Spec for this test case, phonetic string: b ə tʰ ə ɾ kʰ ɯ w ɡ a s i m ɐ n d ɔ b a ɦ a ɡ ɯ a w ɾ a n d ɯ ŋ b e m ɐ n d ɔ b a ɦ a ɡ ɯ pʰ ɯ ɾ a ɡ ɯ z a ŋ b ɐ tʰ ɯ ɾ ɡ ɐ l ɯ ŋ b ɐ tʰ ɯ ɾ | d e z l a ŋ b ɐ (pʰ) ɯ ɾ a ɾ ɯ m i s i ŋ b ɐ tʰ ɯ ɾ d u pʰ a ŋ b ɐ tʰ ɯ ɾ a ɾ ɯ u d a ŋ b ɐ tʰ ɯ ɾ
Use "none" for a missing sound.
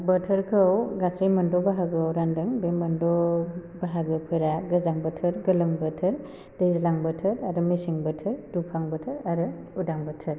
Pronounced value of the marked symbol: tʰ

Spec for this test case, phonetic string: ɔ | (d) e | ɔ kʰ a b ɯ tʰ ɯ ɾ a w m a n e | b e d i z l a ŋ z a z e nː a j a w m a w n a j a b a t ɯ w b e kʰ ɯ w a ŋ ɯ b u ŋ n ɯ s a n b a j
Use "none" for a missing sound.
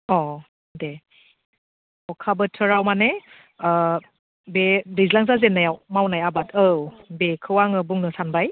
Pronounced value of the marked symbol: d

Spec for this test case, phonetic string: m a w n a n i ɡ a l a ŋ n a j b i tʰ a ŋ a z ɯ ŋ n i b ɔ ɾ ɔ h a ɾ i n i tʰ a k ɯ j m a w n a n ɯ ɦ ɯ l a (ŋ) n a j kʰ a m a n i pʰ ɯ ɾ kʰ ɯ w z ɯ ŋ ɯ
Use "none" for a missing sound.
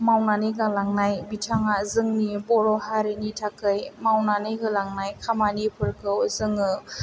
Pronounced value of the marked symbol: ŋ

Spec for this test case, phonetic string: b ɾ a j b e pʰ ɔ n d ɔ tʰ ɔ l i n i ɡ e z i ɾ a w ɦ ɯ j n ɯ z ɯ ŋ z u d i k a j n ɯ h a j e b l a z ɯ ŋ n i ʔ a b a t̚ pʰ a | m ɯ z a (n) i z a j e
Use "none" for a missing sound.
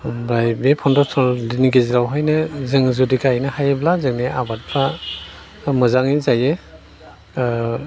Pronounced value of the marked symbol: ŋ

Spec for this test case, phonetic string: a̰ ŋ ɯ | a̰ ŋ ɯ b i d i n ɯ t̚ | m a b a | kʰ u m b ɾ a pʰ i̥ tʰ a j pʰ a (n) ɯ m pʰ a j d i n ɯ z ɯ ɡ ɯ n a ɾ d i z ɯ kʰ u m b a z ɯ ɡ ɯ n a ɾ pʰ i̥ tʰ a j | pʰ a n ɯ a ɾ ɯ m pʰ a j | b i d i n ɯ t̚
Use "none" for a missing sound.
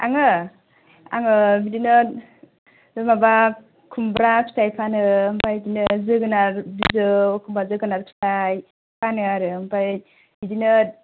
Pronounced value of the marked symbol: n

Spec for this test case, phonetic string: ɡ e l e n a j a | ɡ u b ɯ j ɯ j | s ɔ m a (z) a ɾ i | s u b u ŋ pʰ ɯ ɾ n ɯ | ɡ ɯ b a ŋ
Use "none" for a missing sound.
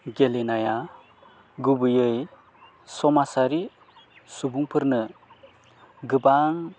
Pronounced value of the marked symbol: s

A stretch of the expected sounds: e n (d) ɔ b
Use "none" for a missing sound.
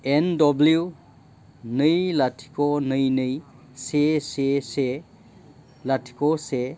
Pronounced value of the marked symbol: d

